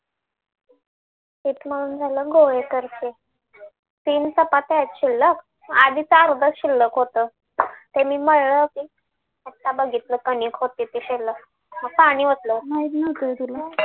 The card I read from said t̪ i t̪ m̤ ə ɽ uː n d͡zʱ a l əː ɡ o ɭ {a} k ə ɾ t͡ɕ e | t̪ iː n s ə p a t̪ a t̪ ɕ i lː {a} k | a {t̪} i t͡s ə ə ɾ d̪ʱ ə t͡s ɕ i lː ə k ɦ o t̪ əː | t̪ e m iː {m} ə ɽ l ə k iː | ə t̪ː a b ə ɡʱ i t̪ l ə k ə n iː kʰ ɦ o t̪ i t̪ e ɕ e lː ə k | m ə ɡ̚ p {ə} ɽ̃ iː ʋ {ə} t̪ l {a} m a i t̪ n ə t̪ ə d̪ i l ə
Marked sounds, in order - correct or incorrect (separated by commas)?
incorrect, incorrect, incorrect, correct, incorrect, correct, incorrect